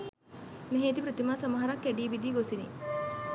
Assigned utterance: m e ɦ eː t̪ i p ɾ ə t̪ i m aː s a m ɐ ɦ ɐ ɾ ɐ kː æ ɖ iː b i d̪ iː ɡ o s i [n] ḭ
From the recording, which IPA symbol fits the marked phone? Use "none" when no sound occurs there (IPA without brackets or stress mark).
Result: n